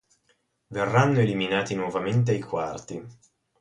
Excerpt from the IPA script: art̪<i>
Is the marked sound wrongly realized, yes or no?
no